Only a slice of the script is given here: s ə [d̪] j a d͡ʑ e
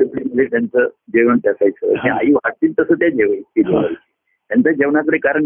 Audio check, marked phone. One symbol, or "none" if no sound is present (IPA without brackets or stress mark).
t̪